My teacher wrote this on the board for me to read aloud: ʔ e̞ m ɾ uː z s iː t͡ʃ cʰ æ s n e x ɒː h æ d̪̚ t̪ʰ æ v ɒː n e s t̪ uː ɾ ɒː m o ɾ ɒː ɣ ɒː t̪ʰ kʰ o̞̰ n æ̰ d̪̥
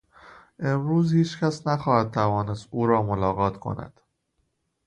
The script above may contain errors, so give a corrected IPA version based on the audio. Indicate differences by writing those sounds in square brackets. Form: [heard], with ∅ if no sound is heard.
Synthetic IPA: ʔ e̞ m ɾ uː z [h] iː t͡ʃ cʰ æ s n [æ] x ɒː h æ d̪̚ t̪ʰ æ v ɒː n e s t̪ uː ɾ ɒː m o [l] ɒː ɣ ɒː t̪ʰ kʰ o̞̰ n æ̰ d̪̥